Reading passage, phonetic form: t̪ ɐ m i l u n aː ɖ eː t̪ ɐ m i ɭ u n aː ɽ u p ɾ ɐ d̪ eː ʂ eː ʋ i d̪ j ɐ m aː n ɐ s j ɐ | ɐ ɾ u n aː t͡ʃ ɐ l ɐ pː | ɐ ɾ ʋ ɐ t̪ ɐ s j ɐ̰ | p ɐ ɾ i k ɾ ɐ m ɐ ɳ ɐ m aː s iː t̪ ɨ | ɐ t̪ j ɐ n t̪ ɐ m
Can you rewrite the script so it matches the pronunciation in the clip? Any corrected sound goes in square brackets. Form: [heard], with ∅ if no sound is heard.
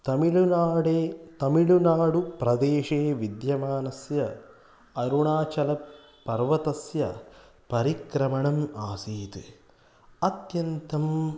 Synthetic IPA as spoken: t̪ ɐ m i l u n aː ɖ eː t̪ ɐ m i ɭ u n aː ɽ u p ɾ ɐ d̪ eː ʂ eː ʋ i d̪ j ɐ m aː n ɐ s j ɐ | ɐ ɾ u [ɳ] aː t͡ʃ ɐ l ɐ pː | ɐ ɾ ʋ ɐ t̪ ɐ s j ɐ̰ | p ɐ ɾ i k ɾ ɐ m ɐ ɳ ɐ m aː s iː t̪ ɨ | ɐ t̪ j ɐ n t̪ ɐ m

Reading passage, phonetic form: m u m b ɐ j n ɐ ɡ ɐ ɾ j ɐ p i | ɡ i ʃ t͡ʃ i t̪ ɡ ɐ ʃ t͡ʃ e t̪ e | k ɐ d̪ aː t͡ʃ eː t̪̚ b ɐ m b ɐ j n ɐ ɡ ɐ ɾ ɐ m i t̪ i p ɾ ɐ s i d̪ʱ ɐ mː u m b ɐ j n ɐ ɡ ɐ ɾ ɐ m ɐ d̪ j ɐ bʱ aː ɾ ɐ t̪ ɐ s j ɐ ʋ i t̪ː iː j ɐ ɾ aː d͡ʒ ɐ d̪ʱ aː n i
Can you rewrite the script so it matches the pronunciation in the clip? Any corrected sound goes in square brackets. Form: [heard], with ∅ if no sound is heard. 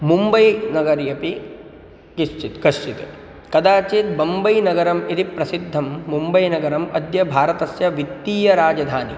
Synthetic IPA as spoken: m u m b ɐ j n ɐ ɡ ɐ ɾ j ɐ p i | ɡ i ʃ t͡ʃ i t̪ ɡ ɐ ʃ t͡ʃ [i] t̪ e | k ɐ d̪ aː t͡ʃ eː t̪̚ b ɐ m b ɐ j n ɐ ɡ ɐ ɾ ɐ m i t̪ i p ɾ ɐ s i [d̪ʱː] ɐ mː u m b ɐ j n ɐ ɡ ɐ ɾ ɐ m ɐ d̪ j ɐ bʱ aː ɾ ɐ t̪ ɐ s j ɐ ʋ i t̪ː iː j ɐ ɾ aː d͡ʒ ɐ d̪ʱ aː n i

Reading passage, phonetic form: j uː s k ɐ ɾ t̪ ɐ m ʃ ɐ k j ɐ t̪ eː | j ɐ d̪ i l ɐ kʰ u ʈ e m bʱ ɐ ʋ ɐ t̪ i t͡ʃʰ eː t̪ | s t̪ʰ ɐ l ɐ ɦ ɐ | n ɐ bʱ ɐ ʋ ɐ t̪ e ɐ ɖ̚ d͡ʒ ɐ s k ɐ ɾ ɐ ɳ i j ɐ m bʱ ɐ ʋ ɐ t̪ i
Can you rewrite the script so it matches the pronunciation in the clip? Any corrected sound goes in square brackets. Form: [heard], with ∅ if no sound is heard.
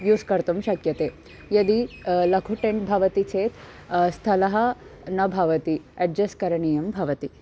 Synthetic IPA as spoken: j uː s k ɐ ɾ t̪ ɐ m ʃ ɐ k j ɐ t̪ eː | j ɐ d̪ i l ɐ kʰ u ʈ e m bʱ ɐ ʋ ɐ t̪ i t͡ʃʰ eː t̪ | s t̪ʰ ɐ l ɐ ɦ ɐ | n ɐ bʱ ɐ ʋ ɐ t̪ [i] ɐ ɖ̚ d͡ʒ ɐ s k ɐ ɾ ɐ ɳ i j ɐ m bʱ ɐ ʋ ɐ t̪ i

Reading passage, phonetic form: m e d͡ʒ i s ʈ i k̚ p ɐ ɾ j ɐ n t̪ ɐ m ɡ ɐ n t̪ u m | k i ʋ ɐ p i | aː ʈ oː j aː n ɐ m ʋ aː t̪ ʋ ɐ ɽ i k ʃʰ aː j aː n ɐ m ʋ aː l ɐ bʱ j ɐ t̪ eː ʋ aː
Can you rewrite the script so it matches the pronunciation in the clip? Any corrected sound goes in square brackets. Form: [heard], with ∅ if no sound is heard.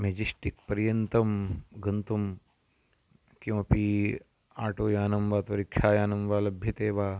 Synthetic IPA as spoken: m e d͡ʒ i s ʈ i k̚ p ɐ ɾ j ɐ n t̪ ɐ m ɡ ɐ n t̪ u m | k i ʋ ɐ p i | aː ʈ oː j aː n ɐ m ʋ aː t̪ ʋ ɐ [ɾ] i k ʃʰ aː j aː n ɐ m ʋ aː l ɐ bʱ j ɐ t̪ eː ʋ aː

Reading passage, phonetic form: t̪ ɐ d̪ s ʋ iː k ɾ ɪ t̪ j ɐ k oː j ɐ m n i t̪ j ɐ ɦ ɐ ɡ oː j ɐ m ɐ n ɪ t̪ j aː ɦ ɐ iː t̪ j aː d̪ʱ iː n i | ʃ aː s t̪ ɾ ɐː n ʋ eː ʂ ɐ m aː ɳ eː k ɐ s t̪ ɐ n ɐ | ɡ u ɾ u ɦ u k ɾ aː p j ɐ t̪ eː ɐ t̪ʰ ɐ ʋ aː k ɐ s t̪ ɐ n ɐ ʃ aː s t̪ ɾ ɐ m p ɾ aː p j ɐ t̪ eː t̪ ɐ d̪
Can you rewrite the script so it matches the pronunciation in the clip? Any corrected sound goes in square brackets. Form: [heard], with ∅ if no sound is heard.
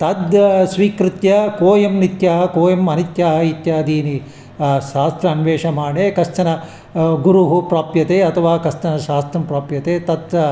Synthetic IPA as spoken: t̪ ɐ d̪ s ʋ iː k ɾ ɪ t̪ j ɐ k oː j ɐ m n i t̪ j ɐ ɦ ɐ [k] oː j ɐ m ɐ n [i] t̪ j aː ɦ ɐ [i] t̪ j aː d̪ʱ iː n i | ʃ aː s t̪ ɾ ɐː n ʋ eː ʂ ɐ m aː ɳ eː k ɐ s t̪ ɐ n ɐ | ɡ u ɾ u ɦ u [p] ɾ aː p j ɐ t̪ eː ɐ t̪ʰ ɐ ʋ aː k ɐ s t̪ ɐ n ɐ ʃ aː s t̪ ɾ ɐ m p ɾ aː p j ɐ t̪ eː t̪ ɐ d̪

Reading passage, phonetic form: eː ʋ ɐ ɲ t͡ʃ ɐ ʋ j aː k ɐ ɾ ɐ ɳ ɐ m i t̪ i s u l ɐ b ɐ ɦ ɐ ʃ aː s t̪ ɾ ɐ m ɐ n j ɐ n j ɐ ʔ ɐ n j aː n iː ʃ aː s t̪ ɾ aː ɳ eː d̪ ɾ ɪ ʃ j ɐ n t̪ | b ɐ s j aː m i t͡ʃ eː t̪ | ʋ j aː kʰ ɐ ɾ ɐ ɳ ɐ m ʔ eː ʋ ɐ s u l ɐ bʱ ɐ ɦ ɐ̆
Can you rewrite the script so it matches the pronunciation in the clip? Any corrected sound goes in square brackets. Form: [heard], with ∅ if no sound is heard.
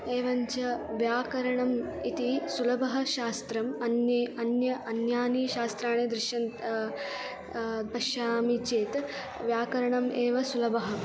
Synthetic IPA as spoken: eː ʋ ɐ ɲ t͡ʃ ɐ ʋ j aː k ɐ ɾ ɐ ɳ ɐ m i t̪ i s u l ɐ b ɐ ɦ ɐ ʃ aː s t̪ ɾ ɐ m ɐ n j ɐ n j ɐ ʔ ɐ n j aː n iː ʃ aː s t̪ ɾ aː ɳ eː d̪ ɾ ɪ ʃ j ɐ n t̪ | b ɐ [ʃ] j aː m i t͡ʃ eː t̪ | ʋ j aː [k] ɐ ɾ ɐ ɳ ɐ m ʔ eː ʋ ɐ s u l ɐ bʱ ɐ ɦ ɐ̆

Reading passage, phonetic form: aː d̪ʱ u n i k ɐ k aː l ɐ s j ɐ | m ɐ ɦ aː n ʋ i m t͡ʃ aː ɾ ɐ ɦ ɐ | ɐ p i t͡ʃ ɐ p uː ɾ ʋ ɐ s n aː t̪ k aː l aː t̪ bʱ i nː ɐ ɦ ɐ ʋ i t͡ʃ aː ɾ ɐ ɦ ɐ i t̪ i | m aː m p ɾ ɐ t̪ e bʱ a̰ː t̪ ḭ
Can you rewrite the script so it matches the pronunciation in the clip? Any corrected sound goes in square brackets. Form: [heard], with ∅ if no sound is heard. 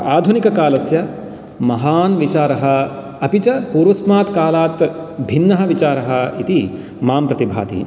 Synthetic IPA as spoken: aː d̪ʱ u n i k ɐ k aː l ɐ s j ɐ | m ɐ ɦ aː n ʋ i [∅] t͡ʃ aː ɾ ɐ ɦ ɐ | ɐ p i t͡ʃ ɐ p uː ɾ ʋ ɐ s [m] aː t̪ k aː l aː t̪ bʱ i nː ɐ ɦ ɐ ʋ i t͡ʃ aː ɾ ɐ ɦ ɐ i t̪ i | m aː m p ɾ ɐ t̪ [i] bʱ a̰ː t̪ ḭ

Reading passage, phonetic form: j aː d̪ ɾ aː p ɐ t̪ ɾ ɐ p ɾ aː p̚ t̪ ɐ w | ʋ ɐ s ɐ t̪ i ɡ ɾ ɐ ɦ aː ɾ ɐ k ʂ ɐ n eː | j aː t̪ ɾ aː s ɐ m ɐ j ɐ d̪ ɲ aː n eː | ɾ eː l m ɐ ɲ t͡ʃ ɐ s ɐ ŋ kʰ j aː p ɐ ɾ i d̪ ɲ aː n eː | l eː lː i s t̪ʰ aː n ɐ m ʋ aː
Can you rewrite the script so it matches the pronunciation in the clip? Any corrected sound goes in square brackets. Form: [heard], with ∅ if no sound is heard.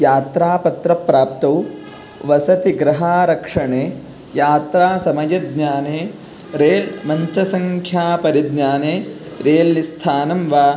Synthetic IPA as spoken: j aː [t̪] ɾ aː p ɐ t̪ ɾ ɐ p ɾ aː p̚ t̪ ɐ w | ʋ ɐ s ɐ t̪ i ɡ ɾ ɐ ɦ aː ɾ ɐ k ʂ ɐ [ɳ] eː | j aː t̪ ɾ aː s ɐ m ɐ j ɐ d̪ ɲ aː n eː | ɾ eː l m ɐ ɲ t͡ʃ ɐ s ɐ ŋ kʰ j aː p ɐ ɾ i d̪ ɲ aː n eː | [ɾ] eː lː i s t̪ʰ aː n ɐ m ʋ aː

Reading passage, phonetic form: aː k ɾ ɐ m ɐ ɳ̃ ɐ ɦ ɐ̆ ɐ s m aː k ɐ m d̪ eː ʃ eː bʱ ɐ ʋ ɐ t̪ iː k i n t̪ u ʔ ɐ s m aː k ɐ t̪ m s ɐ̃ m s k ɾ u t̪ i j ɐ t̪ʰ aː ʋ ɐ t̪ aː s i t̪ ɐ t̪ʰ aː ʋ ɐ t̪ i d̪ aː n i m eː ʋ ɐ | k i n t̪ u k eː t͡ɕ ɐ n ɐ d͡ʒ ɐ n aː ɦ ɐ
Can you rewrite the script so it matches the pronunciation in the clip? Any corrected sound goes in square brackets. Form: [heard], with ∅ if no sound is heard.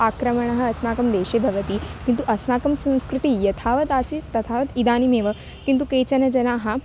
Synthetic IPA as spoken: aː k ɾ ɐ m ɐ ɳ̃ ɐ ɦ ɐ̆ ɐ s m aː k ɐ m d̪ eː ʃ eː bʱ ɐ ʋ ɐ t̪ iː k i n t̪ u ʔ ɐ s m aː k ɐ [∅] m s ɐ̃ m s k ɾ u t̪ i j ɐ t̪ʰ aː ʋ ɐ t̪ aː s i t̪ ɐ t̪ʰ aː ʋ ɐ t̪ i d̪ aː n i m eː ʋ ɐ | k i n t̪ u k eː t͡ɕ ɐ n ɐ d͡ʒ ɐ n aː ɦ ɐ

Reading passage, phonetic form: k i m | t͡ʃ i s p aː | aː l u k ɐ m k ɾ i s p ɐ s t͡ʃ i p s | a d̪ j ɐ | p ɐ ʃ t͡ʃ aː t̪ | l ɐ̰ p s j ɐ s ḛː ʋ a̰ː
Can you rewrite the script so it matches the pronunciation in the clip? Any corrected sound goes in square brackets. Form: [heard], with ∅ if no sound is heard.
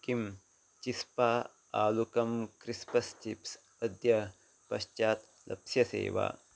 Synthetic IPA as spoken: k i m | t͡ʃ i s p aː | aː l u k ɐ m k ɾ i s p ɐ s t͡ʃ i p s | [ɐ] d̪ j ɐ | p ɐ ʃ t͡ʃ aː t̪ | l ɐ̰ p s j ɐ s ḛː ʋ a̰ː

